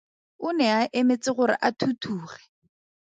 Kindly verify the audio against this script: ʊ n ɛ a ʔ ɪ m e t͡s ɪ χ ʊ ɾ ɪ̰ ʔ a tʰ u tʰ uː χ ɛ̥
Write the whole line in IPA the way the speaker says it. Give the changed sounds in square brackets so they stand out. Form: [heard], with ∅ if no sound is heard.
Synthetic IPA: ʊ n ɛ a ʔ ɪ m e t͡s ɪ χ ʊ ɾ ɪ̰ ʔ a tʰ u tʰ uː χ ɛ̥